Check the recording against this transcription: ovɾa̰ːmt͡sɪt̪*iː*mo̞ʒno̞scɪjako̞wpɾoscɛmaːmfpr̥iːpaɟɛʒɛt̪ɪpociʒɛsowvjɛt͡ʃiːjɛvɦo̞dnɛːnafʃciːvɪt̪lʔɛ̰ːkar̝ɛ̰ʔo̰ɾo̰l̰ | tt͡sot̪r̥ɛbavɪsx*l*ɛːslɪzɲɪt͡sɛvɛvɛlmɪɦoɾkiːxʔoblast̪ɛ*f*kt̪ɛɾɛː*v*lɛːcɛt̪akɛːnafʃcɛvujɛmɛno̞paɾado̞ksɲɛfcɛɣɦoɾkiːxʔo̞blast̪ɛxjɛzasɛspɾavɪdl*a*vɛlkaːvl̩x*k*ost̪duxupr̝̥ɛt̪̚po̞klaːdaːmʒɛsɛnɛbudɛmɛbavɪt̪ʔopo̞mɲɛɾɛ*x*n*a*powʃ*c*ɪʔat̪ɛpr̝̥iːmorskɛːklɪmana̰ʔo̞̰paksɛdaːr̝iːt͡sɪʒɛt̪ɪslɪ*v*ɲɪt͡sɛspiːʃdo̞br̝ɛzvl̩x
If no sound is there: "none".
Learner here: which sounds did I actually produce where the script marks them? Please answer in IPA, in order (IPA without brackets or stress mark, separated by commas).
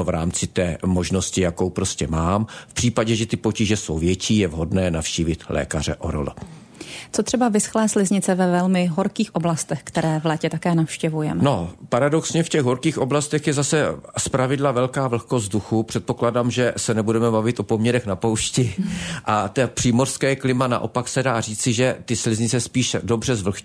ɛː, l, x, v, a, k, x, a, c, z